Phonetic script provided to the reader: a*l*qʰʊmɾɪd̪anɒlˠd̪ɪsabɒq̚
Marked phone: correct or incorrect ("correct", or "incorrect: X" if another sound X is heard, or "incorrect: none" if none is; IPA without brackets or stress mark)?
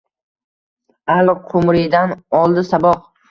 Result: correct